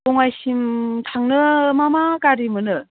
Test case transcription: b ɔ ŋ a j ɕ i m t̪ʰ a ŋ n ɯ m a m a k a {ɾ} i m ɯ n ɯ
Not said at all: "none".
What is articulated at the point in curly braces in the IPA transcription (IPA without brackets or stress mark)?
ɾ